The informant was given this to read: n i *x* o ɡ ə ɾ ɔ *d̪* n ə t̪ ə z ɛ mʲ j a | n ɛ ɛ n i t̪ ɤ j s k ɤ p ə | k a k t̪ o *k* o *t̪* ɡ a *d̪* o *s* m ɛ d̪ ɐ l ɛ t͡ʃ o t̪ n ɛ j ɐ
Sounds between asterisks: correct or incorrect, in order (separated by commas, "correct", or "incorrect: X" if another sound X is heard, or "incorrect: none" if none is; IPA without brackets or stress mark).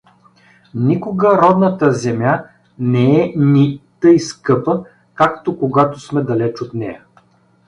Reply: incorrect: k, correct, correct, incorrect: none, incorrect: t̪, correct